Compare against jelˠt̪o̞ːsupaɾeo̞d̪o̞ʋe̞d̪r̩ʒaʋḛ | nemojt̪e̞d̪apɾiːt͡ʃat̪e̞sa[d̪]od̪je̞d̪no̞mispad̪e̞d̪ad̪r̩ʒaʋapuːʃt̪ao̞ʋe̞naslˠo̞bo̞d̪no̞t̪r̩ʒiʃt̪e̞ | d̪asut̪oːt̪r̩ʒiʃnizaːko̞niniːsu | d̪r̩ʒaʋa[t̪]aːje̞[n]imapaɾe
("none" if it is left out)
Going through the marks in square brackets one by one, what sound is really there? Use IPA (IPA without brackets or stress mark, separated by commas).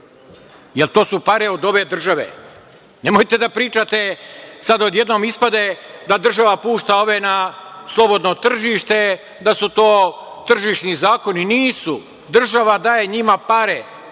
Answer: d̪, d̪, ɲ